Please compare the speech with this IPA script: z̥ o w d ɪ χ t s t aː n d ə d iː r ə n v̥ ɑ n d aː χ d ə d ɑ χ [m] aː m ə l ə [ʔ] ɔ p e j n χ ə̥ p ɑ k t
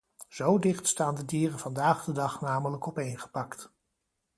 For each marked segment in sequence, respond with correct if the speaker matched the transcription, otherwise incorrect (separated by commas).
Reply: incorrect, incorrect